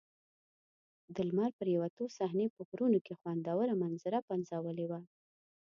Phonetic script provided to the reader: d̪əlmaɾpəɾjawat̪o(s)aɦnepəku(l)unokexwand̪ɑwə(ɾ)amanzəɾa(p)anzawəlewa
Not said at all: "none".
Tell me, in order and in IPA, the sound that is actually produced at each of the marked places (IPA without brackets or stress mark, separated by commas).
s, ɾ, ɾ, p